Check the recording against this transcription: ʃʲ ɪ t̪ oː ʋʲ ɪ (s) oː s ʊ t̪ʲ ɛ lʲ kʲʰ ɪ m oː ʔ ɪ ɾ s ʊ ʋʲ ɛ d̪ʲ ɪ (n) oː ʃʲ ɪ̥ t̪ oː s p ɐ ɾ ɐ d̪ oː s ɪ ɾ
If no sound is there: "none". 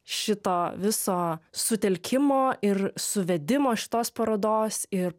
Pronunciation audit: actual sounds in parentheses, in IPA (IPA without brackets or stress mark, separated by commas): s, m